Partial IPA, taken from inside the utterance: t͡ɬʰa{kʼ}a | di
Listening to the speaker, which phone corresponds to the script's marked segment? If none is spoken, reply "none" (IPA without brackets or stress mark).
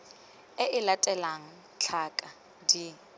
kʼ